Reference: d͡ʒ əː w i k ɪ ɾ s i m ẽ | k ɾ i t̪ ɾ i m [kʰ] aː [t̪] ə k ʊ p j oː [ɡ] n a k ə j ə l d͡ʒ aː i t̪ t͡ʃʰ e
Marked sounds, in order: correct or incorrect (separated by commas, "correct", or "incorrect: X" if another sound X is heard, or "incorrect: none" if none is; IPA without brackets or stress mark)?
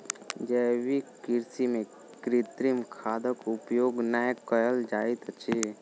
correct, incorrect: d̪, correct